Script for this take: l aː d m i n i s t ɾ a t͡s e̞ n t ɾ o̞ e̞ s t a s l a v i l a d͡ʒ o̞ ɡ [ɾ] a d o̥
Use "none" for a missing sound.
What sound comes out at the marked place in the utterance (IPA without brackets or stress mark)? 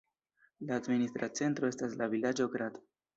ɾ